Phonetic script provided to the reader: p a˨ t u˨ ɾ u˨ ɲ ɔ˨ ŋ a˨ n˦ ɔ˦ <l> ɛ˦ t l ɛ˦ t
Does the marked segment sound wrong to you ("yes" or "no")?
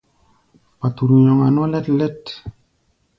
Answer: no